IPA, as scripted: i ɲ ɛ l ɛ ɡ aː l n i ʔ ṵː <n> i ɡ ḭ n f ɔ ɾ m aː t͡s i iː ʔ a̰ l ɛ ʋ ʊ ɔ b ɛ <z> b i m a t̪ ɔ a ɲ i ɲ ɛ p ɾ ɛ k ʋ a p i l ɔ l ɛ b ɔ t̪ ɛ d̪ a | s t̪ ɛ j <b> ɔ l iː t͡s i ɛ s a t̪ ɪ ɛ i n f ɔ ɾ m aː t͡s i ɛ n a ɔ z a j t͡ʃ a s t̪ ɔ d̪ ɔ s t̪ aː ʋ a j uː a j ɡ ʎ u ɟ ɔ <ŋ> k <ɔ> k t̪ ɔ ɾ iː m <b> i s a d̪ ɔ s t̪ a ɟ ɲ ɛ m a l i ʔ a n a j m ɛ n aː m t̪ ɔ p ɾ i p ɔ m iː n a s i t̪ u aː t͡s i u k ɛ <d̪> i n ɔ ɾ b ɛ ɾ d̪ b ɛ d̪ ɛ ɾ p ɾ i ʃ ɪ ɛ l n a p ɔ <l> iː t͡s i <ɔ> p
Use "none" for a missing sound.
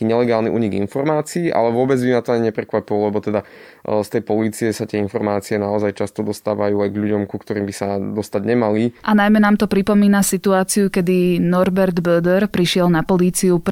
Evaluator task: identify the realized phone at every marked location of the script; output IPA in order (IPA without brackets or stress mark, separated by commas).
ɲ, d͡z, p, m, u, b, d̪, l, u